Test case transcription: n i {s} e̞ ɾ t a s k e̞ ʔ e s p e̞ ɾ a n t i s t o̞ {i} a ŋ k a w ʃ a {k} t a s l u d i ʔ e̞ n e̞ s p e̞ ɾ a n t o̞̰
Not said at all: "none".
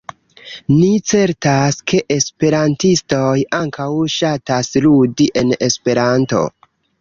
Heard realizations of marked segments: t͡s, j, none

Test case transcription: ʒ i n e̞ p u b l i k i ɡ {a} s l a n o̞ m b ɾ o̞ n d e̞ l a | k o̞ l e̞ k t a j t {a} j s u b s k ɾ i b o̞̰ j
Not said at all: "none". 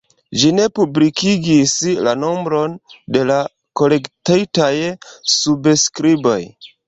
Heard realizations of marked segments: i, a

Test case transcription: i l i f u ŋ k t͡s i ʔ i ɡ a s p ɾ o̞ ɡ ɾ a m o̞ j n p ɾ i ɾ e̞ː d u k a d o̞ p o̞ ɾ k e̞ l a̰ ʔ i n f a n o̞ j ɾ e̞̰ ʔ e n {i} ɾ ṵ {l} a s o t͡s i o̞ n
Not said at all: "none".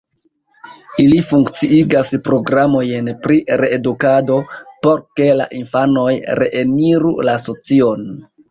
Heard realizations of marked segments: i, l

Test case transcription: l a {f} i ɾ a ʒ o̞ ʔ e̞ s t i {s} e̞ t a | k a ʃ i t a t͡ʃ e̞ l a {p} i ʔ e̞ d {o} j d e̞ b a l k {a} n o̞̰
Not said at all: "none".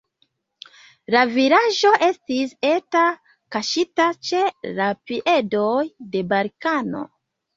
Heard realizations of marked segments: v, s, p, o, a

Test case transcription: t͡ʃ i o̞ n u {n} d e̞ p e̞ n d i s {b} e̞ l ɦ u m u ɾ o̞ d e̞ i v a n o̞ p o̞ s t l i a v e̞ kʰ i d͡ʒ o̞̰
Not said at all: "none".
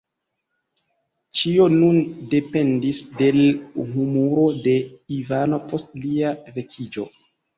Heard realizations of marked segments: n, d

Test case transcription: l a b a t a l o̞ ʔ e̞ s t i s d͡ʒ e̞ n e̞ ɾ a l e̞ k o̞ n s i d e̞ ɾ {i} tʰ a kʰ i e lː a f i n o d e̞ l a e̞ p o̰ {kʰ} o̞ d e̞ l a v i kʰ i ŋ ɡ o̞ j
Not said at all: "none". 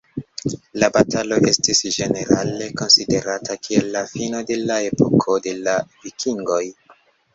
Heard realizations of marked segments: a, kʰ

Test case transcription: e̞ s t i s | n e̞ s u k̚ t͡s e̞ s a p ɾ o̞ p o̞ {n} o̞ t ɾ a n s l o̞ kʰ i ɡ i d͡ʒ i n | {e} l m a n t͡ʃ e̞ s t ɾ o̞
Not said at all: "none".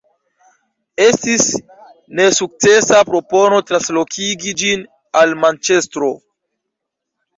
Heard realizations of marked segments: n, a

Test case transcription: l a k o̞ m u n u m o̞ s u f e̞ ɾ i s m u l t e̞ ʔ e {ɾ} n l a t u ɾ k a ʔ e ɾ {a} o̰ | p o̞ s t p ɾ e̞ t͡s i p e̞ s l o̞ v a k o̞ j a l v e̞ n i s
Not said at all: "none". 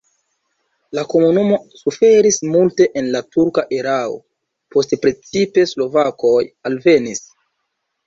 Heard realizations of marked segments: none, a

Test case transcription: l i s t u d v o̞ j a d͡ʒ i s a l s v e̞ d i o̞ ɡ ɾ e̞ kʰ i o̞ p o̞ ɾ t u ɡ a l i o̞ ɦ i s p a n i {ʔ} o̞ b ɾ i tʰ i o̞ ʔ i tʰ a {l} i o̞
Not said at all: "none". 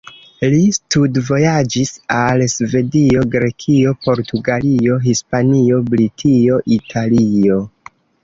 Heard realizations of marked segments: none, l

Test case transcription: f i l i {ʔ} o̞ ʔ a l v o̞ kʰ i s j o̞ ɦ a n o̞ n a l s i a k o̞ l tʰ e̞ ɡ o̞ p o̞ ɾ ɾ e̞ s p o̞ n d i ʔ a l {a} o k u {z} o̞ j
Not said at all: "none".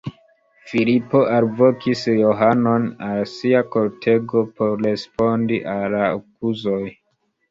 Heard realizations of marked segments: p, a, z

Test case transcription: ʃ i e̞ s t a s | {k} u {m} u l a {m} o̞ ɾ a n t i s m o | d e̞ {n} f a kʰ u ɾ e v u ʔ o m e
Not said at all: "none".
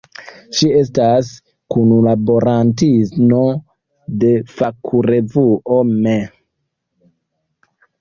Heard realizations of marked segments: k, n, b, none

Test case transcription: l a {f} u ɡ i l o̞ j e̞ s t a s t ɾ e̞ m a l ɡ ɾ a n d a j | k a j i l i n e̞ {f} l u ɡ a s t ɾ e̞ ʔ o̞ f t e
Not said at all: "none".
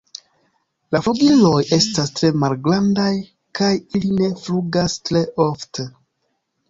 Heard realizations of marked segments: f, f

